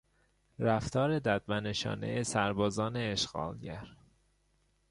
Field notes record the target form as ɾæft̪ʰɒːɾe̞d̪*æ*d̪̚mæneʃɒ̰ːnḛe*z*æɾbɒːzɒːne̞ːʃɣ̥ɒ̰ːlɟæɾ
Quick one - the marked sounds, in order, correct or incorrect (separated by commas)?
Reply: correct, incorrect